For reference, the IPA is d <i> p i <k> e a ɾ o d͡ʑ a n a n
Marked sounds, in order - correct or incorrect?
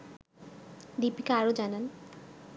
correct, correct

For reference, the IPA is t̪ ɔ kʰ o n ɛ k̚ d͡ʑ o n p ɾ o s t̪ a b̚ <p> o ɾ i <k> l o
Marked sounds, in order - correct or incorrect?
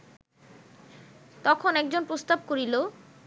incorrect, incorrect

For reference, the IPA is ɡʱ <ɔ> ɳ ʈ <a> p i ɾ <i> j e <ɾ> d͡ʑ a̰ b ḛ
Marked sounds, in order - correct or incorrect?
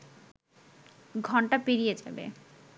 correct, correct, correct, incorrect

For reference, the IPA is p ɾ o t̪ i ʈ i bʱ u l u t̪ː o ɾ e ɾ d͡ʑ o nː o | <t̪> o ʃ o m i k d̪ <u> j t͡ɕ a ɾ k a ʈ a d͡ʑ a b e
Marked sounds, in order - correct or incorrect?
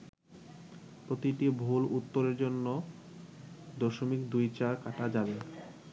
incorrect, correct

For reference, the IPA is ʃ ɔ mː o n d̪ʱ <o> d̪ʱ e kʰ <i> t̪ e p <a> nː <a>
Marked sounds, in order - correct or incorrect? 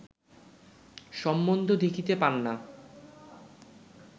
correct, correct, correct, correct

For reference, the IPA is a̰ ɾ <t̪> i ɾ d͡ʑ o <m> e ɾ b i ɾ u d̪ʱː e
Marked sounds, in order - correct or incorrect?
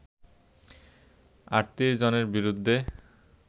correct, incorrect

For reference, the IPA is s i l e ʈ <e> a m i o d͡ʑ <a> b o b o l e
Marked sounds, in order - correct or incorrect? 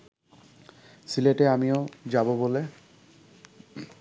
correct, correct

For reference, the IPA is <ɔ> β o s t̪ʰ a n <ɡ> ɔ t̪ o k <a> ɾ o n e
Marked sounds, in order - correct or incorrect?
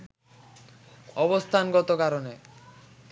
correct, correct, correct

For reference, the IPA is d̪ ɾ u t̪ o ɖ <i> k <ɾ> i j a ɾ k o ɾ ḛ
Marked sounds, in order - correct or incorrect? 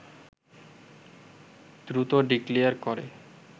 correct, incorrect

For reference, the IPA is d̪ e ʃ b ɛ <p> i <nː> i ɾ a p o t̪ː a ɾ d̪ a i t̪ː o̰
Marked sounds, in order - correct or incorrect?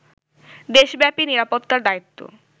correct, incorrect

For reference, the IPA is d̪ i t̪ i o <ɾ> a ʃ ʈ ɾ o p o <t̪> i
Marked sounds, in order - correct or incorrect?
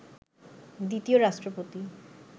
correct, correct

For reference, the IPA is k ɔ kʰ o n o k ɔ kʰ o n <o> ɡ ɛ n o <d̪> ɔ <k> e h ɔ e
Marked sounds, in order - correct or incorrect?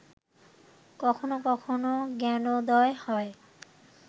correct, correct, incorrect

